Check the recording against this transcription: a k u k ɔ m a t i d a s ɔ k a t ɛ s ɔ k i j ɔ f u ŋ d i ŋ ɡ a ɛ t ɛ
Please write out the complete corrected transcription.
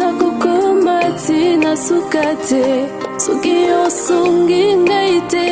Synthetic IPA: a k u k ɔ m a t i n a s u k a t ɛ s u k i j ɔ s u ŋ ɡ i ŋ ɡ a i t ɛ